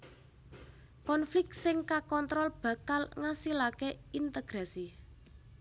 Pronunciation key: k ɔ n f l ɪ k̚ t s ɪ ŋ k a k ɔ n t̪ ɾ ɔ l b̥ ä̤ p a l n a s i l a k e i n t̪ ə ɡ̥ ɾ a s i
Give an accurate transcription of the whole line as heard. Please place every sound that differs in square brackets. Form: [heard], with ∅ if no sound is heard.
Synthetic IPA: k ɔ n f l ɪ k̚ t s ɪ ŋ k a k ɔ n t̪ ɾ ɔ l b̥ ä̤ [k] a l [ŋ] a s i l a k e i n t̪ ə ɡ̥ ɾ a s i